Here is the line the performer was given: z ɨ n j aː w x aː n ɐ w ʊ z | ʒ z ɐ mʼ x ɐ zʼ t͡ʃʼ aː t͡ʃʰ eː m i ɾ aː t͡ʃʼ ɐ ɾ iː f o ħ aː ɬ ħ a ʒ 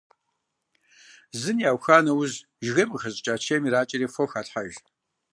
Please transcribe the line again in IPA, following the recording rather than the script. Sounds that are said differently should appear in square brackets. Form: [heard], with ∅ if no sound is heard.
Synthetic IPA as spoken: z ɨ n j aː w x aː n ɐ w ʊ z | ʒ [ɣ] ɐ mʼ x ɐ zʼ t͡ʃʼ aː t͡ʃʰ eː m i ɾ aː t͡ʃʼ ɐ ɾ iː f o [x] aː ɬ ħ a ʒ